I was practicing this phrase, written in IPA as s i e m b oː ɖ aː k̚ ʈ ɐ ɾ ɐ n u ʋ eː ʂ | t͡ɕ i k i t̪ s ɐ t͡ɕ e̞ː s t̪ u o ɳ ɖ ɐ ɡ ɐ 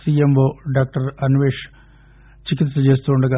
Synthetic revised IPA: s i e m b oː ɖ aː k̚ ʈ ɐ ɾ ɐ n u ʋ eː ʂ | t͡ɕ i k i t̪ s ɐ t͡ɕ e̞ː s t̪ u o ɳ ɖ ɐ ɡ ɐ

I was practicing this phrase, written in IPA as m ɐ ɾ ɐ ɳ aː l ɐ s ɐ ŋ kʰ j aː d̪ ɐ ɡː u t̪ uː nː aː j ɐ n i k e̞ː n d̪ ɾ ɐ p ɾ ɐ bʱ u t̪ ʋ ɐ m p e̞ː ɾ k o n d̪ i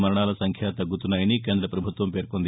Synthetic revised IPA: m ɐ ɾ ɐ ɳ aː l ɐ s ɐ ŋ kʰ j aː t̪ ɐ ɡː u t̪ u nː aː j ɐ n i k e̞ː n d̪ ɾ ɐ p ɾ ɐ bʱ u t̪ ʋ ɐ m p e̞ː ɾ k o n d̪ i

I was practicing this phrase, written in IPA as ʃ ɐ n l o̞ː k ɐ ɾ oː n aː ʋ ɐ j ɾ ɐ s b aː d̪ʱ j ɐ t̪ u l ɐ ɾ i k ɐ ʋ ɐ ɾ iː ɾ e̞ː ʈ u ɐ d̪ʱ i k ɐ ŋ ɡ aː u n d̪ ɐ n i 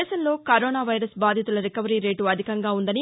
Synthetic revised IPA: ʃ ɐ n l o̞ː k ɐ ɾ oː n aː ʋ ɐ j ɾ ɐ s b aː d̪ʱ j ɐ t̪ u l ɐ ɾ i k ɐ ʋ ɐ ɾ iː ɾ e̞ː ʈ u ɐ d̪ʱ i k ɐ ŋ ɡ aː u n d̪ ɐ n i

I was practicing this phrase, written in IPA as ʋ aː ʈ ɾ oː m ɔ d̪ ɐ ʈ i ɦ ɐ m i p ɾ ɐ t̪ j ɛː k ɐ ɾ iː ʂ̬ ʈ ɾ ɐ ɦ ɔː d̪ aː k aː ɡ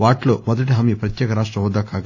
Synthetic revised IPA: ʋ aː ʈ l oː m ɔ d̪ ɐ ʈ i ɦ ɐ m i p ɾ ɐ t̪ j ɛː k ɐ ɾ aː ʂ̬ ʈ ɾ ɐ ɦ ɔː d̪ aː k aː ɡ

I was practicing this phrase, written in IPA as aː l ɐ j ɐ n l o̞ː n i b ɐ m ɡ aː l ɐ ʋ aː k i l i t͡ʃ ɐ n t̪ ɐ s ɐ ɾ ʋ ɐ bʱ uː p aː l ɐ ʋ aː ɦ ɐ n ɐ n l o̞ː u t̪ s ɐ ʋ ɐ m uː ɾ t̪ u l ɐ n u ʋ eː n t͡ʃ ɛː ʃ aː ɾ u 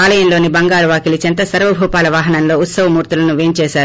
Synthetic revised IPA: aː l ɐ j ɐ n l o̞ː n i b ɐ ŋ ɡ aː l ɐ ʋ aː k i l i t͡ʃ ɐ n t̪ ɐ s ɐ ɾ ʋ ɐ bʱ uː p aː l ɐ ʋ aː ɦ ɐ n ɐ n l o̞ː u t̪ s ɐ ʋ ɐ m uː ɾ t̪ u l ɐ n u ʋ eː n t͡ʃ ɛː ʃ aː ɾ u

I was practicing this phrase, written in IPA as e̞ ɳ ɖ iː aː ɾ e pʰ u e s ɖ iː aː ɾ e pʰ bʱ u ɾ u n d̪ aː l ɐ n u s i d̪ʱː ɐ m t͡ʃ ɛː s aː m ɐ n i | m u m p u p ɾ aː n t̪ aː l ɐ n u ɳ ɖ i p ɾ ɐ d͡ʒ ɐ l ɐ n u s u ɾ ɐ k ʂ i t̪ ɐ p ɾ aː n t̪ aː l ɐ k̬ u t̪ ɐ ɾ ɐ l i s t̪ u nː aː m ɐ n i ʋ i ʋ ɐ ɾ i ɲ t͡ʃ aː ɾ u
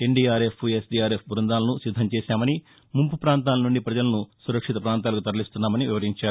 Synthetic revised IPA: e̞ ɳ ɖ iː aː ɾ e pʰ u e s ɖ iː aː ɾ e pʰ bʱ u ɾ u n d̪ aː l ɐ n u s i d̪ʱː ɐ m t͡ʃ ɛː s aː m ɐ n i | m u m p u p ɾ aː n t̪ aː l ɐ n u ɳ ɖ i p ɾ ɐ d͡ʒ ɐ l ɐ n u s u ɾ ɐ k ʂ i t̪ ɐ p ɾ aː n t̪ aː l ɐ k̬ u t̪ ɐ ɾ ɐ l i s t̪ u nː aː m ɐ n i ʋ i ʋ ɐ ɾ i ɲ t͡ʃ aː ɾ u

